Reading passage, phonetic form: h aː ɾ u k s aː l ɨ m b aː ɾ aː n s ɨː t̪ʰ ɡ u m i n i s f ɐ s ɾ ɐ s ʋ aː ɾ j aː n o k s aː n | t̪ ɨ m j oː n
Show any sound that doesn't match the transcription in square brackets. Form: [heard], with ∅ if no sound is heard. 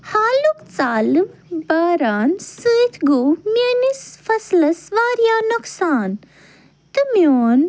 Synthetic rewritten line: h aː [l] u k [t͡s] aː l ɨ m b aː ɾ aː n s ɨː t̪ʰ ɡ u m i n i s f ɐ s [l] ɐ s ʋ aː ɾ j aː n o k s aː n | t̪ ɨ m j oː n